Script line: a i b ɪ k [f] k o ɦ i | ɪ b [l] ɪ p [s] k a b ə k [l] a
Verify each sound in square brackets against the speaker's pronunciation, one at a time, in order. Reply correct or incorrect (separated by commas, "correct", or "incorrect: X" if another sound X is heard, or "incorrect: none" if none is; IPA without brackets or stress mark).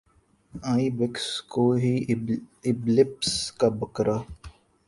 incorrect: s, correct, correct, incorrect: ɾ